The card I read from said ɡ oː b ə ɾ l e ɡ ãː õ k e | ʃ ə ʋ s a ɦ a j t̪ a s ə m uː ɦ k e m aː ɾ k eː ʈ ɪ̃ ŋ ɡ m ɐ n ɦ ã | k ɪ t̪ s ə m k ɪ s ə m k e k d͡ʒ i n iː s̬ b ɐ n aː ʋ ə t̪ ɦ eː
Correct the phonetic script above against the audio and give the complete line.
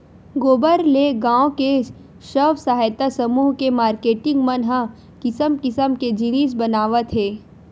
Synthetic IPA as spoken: ɡ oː b ə ɾ l e ɡ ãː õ k e | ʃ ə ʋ s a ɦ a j t̪ a s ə m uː ɦ k e m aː ɾ k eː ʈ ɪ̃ ŋ ɡ m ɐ n ɦ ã | k ɪ s ə m k ɪ s ə m k e d͡ʒ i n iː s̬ b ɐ n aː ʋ ə t̪ ɦ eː